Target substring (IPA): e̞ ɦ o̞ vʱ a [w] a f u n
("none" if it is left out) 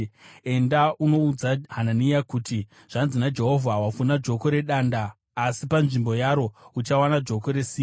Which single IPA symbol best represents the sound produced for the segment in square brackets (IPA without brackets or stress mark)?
w